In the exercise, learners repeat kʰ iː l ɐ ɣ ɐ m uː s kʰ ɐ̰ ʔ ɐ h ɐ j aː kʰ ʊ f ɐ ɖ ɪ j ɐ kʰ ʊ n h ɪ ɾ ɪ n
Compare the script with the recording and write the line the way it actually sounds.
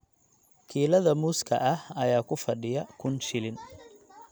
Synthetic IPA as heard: kʰ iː l ɐ ð ɐ m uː s kʰ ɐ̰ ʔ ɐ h ɐ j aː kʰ ʊ f ɐ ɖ ɪ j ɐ kʰ ʊ n ʃ ɪ l ɪ n